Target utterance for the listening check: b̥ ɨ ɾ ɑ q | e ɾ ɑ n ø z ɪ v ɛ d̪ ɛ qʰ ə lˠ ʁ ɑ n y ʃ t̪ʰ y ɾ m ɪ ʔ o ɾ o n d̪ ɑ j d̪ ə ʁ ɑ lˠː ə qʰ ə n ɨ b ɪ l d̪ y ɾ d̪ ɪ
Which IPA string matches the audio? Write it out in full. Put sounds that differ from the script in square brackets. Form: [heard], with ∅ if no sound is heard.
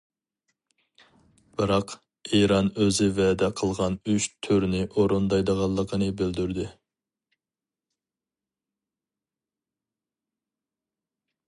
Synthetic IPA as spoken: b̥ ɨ ɾ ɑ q | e ɾ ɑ n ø z ɪ v ɛ d̪ ɛ qʰ ə lˠ ʁ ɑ n y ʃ t̪ʰ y ɾ [n] ɪ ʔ o ɾ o n d̪ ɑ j d̪ ə ʁ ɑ lˠː ə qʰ ə n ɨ b ɪ l d̪ y ɾ d̪ ɪ